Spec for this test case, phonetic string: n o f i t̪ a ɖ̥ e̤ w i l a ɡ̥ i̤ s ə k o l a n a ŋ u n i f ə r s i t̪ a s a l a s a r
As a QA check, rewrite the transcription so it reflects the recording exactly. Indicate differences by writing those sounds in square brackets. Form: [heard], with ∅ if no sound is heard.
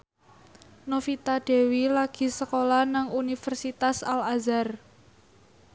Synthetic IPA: n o f i t̪ a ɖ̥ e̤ w i l a ɡ̥ i̤ s ə k o l a n a ŋ u n i f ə r s i t̪ a s a l a [z] a r